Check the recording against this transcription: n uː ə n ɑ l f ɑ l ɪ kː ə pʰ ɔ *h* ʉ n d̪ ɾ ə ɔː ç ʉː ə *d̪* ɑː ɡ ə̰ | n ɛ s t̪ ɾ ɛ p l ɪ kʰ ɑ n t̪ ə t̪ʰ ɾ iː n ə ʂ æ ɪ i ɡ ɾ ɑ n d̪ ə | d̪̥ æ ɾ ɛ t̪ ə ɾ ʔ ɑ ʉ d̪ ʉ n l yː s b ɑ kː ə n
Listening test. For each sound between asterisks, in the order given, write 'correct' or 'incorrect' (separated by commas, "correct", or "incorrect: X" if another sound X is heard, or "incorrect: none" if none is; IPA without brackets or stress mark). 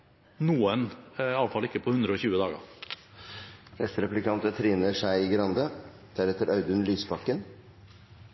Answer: correct, correct